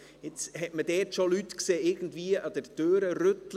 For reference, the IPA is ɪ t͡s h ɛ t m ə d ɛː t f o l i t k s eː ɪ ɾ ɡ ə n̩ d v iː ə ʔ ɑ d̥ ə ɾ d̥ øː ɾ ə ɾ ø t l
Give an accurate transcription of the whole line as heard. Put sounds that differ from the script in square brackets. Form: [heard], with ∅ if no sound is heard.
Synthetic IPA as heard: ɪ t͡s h ɛ t m ə d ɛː t [ʃ] o l [y] t k s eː ɪ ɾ ɡ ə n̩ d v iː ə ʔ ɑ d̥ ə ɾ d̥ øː ɾ ə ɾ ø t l